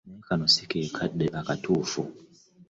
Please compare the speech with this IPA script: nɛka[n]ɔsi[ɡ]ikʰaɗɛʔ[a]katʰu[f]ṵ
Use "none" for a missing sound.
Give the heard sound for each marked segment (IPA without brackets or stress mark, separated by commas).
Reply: n, k, a, f